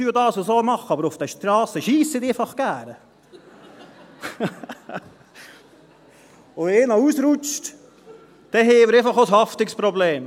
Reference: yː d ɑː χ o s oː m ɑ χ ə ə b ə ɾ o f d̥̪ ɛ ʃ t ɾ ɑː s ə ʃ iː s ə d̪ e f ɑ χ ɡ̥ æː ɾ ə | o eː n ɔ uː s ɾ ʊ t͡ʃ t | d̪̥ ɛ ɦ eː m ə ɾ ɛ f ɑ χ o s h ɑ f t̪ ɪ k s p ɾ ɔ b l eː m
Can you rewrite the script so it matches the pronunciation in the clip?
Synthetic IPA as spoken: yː d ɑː s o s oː m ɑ χ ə ɑ b ə ɾ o f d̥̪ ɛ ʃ t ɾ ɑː s ə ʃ iː s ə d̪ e f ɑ χ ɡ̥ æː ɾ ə | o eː n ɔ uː s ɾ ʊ t͡ʃ t | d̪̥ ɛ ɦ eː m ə ɾ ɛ f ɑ χ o s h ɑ f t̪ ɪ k s p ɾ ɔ b l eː m